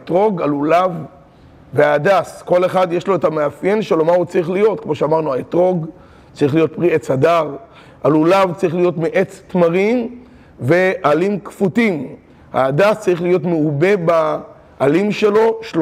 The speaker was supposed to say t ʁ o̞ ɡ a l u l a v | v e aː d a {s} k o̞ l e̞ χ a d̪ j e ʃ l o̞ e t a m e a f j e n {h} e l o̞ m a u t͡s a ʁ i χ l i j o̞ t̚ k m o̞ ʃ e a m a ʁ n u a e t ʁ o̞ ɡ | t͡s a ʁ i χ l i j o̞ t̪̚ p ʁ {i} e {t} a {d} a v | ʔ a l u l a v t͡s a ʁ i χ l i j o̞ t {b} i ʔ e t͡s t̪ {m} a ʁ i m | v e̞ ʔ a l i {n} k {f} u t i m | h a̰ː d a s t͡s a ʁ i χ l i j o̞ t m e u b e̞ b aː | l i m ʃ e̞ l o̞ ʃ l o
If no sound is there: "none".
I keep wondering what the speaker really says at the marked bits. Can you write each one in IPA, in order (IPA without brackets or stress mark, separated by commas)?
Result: s, ʃ, i, t͡s, d, m, m, m, f